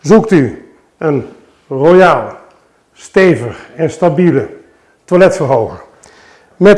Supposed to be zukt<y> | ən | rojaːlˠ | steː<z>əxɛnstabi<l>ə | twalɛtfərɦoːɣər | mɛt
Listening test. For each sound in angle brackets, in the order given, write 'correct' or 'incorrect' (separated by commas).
correct, incorrect, correct